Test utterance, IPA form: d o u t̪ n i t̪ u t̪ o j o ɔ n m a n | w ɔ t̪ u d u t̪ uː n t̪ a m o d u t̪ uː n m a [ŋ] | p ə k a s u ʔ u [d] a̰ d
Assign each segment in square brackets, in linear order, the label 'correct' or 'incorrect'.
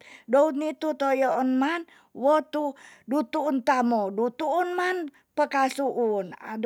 incorrect: n, incorrect: n

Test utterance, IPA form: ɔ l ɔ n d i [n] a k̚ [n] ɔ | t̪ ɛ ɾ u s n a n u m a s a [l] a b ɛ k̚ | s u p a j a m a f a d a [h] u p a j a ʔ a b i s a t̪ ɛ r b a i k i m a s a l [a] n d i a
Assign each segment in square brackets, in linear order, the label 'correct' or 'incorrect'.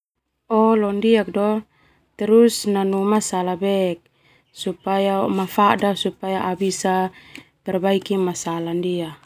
incorrect: none, incorrect: d, correct, incorrect: s, correct

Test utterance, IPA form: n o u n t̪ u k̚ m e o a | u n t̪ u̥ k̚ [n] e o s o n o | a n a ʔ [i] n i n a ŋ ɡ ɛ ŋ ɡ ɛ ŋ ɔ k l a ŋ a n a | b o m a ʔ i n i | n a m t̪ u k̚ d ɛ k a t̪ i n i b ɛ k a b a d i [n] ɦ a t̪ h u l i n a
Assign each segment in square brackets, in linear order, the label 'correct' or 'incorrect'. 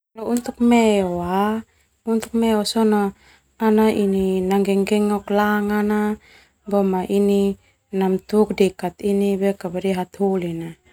incorrect: m, correct, incorrect: none

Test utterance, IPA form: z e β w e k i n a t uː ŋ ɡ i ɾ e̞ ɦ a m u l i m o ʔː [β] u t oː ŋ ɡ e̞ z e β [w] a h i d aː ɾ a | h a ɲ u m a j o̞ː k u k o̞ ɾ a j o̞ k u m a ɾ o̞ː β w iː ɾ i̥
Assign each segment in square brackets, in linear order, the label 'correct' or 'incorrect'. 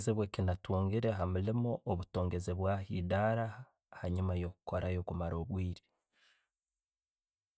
correct, correct

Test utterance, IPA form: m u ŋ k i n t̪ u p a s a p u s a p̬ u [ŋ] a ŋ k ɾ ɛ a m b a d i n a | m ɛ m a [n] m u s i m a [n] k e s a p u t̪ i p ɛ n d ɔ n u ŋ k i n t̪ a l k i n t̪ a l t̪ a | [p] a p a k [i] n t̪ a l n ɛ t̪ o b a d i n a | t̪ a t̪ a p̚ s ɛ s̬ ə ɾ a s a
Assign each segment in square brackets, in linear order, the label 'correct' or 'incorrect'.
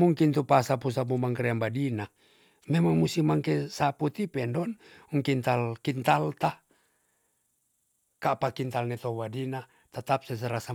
incorrect: m, incorrect: ŋ, incorrect: ŋ, incorrect: k, correct

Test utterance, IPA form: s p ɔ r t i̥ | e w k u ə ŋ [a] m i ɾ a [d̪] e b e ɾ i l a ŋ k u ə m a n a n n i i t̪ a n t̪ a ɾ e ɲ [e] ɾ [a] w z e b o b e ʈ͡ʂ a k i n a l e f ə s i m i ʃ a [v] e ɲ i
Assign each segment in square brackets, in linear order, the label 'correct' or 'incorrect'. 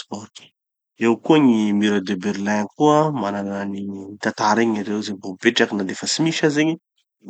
incorrect: i, correct, incorrect: a, incorrect: e, incorrect: z

